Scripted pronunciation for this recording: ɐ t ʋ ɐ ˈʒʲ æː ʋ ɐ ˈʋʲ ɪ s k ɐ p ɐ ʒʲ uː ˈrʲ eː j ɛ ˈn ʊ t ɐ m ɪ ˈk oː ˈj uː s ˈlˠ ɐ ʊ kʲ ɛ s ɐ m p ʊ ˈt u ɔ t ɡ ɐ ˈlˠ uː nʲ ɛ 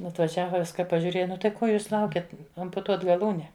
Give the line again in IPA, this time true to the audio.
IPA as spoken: ɐ t ʋ ɐ ˈʒʲ æː ʋ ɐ ˈʋʲ ɪ s k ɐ p ɐ ʒʲ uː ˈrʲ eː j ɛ ˈn ʊ t ɐ ɪ ˈk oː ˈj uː s ˈlˠ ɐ ʊ kʲ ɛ t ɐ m p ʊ ˈt u ɔ t ɡ ɐ ˈlˠ uː nʲ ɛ